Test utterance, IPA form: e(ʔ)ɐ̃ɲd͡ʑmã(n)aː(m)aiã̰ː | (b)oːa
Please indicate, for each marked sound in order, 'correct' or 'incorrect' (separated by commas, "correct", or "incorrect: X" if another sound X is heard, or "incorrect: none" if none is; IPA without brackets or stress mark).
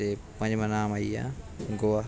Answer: incorrect: p, correct, correct, incorrect: ɡ